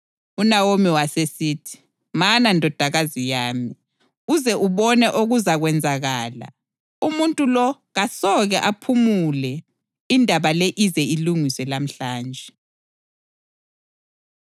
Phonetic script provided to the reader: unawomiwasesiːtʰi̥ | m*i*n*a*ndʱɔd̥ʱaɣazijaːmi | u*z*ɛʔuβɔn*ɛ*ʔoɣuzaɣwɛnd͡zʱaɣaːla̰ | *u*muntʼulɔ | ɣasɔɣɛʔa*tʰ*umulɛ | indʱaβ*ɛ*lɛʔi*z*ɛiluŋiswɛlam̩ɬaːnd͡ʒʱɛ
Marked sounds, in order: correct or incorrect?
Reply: incorrect: a, correct, correct, correct, correct, incorrect: pʰ, incorrect: a, correct

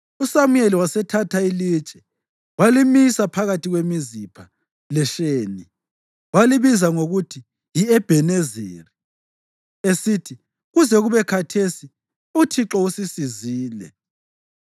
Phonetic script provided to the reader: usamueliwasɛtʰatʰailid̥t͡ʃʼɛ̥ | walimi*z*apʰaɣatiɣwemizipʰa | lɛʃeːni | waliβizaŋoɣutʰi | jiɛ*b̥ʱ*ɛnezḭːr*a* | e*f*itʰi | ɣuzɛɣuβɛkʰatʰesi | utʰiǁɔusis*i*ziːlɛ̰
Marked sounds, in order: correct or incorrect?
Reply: incorrect: s, correct, incorrect: i, incorrect: s, correct

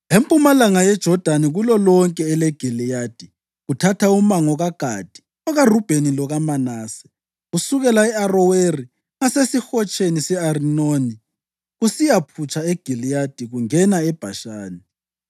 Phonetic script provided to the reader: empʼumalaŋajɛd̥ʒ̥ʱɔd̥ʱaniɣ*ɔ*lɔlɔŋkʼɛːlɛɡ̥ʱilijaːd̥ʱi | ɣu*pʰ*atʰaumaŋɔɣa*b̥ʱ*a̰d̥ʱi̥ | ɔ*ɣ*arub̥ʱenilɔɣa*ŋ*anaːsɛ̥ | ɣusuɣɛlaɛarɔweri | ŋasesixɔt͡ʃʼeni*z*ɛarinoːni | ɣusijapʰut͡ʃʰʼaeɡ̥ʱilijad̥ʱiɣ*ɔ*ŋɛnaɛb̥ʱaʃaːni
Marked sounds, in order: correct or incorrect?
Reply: incorrect: u, incorrect: tʰ, incorrect: ɡ̥ʱ, correct, incorrect: m, incorrect: s, incorrect: u

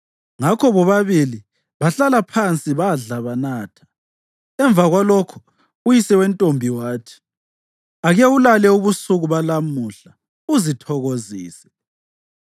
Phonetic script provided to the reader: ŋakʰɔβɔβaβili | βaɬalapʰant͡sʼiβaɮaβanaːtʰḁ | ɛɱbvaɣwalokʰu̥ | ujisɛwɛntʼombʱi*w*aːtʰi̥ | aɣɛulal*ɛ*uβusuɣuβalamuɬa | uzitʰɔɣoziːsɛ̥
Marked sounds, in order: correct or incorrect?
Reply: correct, correct

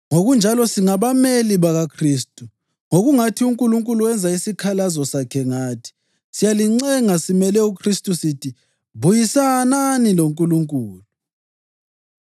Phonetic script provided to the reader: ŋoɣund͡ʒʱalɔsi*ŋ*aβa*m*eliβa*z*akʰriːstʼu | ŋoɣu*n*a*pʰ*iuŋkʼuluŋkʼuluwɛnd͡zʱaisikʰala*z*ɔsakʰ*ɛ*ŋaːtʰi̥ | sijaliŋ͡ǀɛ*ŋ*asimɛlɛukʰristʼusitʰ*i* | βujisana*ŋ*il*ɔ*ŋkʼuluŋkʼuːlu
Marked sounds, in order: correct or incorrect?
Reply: correct, correct, incorrect: ɣ, incorrect: ŋ, incorrect: tʰ, correct, correct, correct, correct, incorrect: n, incorrect: o

